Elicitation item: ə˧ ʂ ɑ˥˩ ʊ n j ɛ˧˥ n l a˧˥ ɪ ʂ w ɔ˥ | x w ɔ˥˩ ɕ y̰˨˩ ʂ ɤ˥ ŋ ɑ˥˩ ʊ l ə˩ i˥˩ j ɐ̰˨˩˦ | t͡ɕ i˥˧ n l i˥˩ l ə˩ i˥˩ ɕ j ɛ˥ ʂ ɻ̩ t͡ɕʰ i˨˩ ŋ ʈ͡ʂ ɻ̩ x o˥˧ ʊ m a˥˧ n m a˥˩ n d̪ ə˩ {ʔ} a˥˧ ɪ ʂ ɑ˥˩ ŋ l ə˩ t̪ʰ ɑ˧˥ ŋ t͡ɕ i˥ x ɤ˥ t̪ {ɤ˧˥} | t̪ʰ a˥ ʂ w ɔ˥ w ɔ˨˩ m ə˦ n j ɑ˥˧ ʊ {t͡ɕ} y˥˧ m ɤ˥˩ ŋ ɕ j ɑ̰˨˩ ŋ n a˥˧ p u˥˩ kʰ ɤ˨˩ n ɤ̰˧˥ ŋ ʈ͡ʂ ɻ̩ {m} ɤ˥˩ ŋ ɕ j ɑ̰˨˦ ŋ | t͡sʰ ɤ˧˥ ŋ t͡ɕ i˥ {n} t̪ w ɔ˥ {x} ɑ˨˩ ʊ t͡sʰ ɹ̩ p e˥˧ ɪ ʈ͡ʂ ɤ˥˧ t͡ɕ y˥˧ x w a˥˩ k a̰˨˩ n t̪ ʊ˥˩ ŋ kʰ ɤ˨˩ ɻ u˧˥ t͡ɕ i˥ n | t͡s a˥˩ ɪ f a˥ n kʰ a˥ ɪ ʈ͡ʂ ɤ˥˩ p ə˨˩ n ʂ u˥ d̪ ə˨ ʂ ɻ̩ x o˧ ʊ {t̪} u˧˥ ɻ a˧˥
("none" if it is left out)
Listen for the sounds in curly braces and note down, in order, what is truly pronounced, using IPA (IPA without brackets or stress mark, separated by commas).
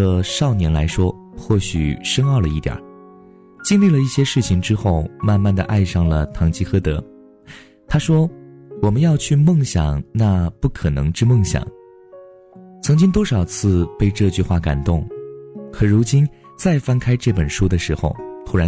ʔ, ɤ˧˥, t͡ɕʰ, m, ŋ, ʂ, t̪ʰ